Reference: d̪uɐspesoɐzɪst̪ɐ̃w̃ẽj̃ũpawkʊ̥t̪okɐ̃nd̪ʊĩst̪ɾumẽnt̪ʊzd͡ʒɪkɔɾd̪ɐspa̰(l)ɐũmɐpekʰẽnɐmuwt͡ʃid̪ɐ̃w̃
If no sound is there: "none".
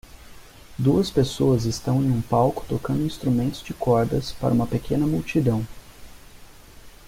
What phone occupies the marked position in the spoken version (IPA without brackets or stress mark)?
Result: ɾ